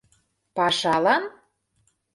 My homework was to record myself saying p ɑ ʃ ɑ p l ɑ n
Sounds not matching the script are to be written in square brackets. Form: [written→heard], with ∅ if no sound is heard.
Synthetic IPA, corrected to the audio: p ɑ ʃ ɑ [p→∅] l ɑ n